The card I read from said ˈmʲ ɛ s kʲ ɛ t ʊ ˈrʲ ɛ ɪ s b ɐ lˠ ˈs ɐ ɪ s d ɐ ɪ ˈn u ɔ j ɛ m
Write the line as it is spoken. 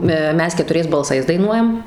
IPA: ˈmʲ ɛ s kʲ ɛ t ʊ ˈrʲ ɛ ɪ s b ɐ lˠ ˈs ɐ ɪ s d ɐ ɪ ˈn u ɔ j ɛ m